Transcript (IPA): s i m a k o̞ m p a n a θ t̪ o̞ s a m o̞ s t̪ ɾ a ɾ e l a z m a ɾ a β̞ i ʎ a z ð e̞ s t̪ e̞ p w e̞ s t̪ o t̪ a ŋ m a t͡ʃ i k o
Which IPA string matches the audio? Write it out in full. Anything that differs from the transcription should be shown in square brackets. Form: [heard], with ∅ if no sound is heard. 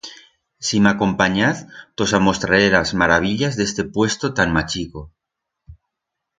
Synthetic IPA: s i m a k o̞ m p a [ɲ] a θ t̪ o̞ s a m o̞ s t̪ ɾ a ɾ e l a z m a ɾ a β̞ i ʎ a z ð e̞ s t̪ e̞ p w e̞ s t̪ o t̪ a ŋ m a t͡ʃ i k o